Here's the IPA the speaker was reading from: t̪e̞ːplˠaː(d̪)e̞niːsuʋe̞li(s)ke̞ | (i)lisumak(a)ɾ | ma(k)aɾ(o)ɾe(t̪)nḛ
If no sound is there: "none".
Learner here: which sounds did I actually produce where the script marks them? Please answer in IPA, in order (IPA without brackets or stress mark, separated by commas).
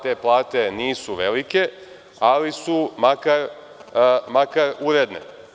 t̪, none, a, a, k, u, d̪